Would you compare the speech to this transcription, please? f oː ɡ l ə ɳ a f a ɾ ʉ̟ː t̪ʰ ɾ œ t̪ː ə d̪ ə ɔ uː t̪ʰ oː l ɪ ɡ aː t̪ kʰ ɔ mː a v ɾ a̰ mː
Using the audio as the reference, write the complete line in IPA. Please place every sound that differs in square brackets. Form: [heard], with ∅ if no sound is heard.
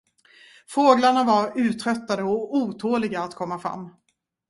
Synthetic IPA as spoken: f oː ɡ l [a] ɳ a [v] a ɾ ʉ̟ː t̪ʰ ɾ œ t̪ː [a] d̪ ə ɔ uː t̪ʰ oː l ɪ ɡ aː t̪ kʰ ɔ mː a [f] ɾ a̰ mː